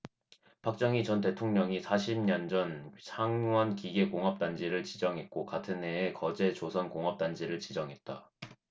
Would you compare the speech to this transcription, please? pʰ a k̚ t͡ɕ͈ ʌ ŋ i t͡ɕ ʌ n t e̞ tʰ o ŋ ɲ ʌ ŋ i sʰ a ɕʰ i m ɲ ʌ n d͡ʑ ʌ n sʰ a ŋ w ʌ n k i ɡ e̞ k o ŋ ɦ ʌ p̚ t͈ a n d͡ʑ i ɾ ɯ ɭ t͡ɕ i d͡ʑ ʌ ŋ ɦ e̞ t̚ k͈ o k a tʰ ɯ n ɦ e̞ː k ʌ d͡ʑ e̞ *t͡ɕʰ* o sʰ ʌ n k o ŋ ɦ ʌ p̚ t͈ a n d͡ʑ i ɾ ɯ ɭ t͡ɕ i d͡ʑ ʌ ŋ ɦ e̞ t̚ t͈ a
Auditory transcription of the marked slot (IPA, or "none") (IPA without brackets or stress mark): t͡ɕ